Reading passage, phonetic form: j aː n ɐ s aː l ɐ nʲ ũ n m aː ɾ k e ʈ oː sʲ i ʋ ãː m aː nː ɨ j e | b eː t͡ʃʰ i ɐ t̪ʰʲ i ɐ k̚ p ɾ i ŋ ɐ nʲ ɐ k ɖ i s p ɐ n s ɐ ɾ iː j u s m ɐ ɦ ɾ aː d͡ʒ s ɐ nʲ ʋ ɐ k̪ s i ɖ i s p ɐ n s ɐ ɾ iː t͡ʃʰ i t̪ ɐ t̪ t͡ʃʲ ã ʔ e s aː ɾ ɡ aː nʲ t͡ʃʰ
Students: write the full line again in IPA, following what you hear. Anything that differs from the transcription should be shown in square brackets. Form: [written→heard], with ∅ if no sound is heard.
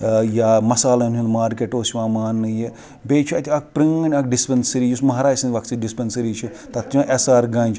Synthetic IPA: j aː [n→m] ɐ s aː l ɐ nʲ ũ n m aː ɾ k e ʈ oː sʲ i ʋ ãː m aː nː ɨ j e | b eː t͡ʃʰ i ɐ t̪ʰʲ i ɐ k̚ p ɾ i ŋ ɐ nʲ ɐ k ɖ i s p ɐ n s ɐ ɾ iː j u s m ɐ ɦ ɾ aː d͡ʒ s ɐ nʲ ʋ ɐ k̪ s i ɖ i s p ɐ n s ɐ ɾ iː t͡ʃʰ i t̪ ɐ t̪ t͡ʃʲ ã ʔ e s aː ɾ ɡ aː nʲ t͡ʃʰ